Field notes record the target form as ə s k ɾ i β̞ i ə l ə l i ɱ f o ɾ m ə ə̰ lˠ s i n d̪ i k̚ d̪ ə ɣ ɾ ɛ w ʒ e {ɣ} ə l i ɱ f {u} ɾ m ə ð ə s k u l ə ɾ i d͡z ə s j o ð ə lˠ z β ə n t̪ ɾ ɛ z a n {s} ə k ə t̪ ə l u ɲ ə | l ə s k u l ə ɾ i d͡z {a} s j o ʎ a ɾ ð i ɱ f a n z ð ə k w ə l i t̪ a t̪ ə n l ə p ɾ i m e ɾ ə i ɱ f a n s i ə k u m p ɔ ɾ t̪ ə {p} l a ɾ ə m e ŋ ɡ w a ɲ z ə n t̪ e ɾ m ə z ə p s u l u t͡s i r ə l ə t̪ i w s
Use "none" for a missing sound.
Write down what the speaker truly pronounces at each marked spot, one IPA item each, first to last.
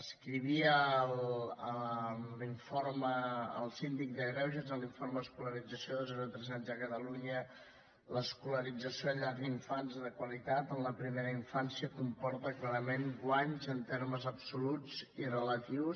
z, o, z, ə, k

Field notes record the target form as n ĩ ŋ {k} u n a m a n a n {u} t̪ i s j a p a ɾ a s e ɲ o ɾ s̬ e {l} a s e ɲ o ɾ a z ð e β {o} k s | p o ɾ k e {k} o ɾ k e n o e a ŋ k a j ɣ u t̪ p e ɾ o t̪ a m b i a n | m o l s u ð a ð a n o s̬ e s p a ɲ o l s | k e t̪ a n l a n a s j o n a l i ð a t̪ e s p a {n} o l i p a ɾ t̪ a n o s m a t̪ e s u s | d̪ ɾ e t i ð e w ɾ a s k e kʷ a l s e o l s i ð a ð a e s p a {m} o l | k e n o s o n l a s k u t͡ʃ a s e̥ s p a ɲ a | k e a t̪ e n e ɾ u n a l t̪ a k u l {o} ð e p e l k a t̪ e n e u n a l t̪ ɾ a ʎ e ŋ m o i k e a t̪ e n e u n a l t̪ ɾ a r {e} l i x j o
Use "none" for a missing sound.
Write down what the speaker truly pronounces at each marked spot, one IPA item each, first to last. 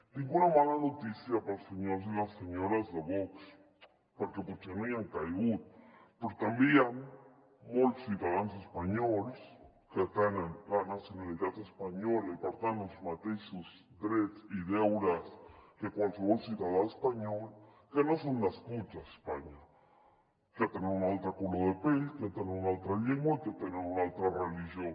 ɡ, o, l, o, p, ɲ, ɲ, o, e

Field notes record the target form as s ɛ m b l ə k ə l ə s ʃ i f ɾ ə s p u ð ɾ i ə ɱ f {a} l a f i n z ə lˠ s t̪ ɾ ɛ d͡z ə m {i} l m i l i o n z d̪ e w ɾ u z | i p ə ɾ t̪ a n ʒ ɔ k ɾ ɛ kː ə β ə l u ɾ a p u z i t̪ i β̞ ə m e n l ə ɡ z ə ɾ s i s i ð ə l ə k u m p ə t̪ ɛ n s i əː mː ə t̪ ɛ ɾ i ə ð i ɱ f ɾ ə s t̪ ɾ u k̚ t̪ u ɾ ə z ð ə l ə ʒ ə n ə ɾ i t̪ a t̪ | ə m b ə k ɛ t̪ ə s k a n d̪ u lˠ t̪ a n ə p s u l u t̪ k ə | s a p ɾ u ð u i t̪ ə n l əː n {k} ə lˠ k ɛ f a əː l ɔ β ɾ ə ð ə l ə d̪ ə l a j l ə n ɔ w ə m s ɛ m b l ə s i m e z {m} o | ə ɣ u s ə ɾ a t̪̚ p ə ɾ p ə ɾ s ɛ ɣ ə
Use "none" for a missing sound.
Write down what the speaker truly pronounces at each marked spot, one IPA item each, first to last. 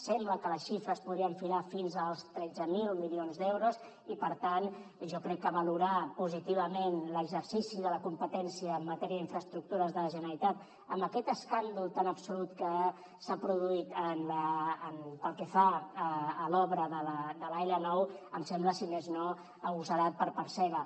i, i, p, n

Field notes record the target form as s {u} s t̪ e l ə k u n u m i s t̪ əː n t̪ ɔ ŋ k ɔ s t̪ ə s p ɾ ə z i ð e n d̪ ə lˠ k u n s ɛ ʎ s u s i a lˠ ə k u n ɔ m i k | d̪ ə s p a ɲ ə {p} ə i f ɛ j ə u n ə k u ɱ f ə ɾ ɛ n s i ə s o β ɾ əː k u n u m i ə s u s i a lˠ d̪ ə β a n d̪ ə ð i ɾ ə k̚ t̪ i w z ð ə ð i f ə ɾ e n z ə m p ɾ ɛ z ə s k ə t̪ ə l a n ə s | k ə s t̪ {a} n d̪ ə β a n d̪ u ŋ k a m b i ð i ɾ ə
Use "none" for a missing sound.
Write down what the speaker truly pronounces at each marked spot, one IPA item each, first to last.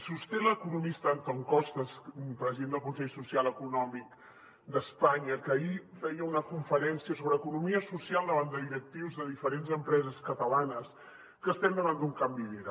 u, k, ɛ

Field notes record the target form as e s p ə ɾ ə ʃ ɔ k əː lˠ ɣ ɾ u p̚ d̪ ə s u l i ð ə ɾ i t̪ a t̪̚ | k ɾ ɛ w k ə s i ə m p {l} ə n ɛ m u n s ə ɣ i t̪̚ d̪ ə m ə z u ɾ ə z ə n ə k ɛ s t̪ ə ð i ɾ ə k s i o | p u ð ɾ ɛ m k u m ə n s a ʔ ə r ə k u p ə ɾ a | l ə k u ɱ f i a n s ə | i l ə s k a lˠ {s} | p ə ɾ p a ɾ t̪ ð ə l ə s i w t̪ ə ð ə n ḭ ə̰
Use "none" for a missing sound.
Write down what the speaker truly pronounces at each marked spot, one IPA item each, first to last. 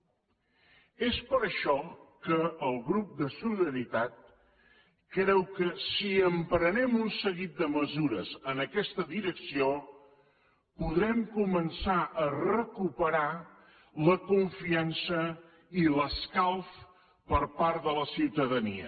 ɾ, f

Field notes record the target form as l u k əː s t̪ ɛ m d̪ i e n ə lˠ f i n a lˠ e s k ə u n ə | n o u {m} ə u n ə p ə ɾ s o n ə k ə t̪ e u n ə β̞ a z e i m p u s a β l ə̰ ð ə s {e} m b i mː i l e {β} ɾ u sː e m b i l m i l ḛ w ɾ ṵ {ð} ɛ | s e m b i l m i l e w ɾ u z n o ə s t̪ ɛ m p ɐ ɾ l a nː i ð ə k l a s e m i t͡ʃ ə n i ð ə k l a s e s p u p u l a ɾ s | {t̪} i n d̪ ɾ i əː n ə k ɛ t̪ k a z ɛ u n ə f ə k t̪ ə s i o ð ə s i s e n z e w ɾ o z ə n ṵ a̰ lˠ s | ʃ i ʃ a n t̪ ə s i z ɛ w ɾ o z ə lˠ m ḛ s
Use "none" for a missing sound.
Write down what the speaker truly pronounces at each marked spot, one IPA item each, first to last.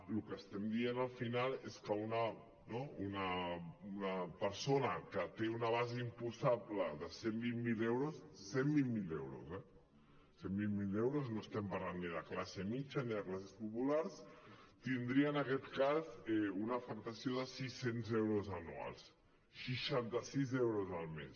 n, e, w, z, t̪

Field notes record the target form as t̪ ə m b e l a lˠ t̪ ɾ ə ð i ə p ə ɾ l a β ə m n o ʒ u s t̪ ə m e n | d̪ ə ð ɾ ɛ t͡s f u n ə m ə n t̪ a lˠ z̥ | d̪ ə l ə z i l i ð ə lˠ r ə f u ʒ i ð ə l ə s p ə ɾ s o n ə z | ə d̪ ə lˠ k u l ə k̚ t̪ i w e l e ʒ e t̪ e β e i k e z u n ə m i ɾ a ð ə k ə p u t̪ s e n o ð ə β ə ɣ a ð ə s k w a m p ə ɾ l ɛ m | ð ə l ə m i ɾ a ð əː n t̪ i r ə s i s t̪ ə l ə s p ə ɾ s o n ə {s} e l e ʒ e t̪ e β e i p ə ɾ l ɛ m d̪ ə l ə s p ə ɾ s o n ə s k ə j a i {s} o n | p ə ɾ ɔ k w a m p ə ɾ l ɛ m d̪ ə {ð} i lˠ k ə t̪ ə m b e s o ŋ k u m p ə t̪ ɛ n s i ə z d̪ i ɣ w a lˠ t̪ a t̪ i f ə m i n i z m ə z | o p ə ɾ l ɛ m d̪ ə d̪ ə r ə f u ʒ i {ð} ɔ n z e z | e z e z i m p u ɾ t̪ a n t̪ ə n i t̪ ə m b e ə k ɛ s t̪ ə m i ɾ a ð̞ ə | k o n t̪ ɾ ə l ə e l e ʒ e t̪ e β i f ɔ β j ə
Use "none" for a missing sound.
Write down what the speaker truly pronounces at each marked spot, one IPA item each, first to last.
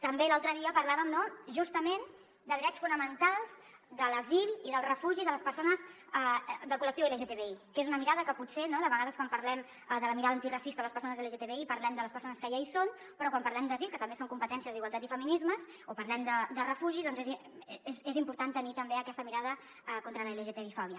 z, s, z, ð

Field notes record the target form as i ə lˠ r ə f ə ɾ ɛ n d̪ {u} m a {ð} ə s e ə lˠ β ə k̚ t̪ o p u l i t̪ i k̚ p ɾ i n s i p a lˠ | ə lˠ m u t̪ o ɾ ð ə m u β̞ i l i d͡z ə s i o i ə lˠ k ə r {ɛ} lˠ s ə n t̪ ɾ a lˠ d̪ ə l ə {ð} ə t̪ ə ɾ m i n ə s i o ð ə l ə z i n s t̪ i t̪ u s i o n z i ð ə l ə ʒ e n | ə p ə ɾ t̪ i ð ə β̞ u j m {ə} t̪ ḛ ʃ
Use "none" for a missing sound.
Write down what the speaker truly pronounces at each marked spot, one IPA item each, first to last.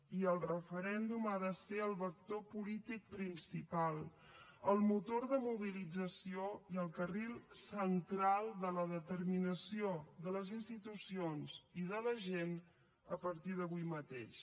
u, ð, i, ð, ə

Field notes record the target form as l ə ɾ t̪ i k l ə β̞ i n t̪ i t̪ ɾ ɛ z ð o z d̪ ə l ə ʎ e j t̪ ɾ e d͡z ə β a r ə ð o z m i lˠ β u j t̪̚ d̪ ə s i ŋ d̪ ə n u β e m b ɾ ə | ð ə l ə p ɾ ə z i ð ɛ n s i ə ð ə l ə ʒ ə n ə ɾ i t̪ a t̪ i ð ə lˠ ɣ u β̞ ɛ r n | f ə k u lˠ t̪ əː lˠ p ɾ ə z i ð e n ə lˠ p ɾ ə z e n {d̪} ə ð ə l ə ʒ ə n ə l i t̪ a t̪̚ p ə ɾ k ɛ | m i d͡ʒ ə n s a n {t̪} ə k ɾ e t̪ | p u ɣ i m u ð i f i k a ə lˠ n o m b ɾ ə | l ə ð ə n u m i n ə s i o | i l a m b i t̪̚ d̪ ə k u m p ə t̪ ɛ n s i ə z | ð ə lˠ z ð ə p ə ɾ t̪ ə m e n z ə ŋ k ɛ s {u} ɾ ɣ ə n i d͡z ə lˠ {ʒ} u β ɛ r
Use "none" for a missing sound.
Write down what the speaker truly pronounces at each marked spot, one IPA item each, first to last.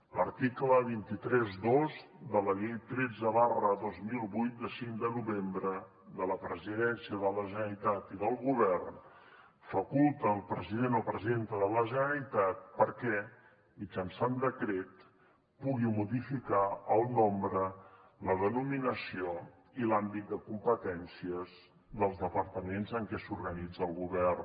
t̪, d̪, u, ɣ

